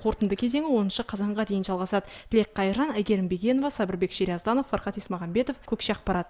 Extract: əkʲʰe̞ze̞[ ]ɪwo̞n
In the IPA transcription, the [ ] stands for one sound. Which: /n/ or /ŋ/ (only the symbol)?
ŋ